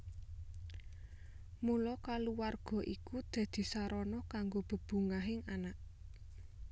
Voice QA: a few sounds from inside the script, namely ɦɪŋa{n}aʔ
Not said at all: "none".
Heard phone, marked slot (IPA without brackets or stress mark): n